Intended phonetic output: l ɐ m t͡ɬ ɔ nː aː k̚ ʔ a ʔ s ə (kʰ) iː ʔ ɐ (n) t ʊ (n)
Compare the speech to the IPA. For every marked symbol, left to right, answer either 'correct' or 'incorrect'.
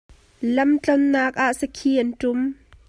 correct, correct, incorrect: m

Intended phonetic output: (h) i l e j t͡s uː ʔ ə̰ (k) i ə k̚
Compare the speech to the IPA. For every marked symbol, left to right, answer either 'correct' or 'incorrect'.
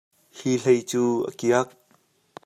correct, correct

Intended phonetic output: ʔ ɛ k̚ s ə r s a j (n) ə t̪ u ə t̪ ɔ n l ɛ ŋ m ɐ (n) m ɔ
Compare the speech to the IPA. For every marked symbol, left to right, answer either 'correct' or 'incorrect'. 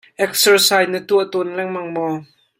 correct, incorrect: ŋ

